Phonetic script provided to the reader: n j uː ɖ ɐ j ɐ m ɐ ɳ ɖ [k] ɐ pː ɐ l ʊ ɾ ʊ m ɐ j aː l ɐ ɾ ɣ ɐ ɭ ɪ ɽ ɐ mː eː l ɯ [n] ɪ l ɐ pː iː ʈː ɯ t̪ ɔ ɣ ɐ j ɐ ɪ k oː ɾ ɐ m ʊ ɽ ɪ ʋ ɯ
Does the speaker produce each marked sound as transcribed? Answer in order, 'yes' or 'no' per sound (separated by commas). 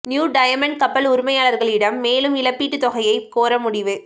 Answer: yes, no